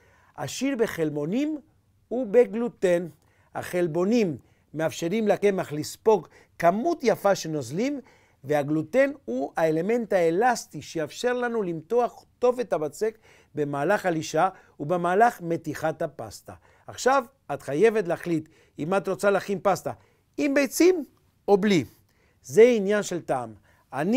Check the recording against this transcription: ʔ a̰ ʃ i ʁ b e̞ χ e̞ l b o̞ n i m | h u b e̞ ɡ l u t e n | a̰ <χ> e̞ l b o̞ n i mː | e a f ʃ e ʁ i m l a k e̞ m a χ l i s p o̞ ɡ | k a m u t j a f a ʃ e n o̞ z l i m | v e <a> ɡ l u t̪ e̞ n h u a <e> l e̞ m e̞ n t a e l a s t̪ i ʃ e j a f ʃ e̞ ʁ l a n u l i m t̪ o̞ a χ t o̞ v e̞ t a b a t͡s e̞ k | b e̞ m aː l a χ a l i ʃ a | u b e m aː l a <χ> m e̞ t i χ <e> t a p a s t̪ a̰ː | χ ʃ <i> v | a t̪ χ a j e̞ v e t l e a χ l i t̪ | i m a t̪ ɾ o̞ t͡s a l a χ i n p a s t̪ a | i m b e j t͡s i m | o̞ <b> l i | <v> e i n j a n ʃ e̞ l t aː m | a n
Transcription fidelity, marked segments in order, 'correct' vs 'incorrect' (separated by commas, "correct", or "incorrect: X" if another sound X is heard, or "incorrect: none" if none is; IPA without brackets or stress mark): correct, correct, correct, correct, incorrect: a, incorrect: a, correct, incorrect: z